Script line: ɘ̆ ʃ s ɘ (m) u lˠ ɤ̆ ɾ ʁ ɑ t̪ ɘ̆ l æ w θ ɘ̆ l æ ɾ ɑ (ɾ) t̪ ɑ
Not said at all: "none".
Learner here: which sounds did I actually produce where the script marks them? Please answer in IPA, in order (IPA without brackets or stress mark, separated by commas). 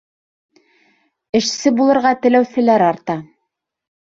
b, ɾ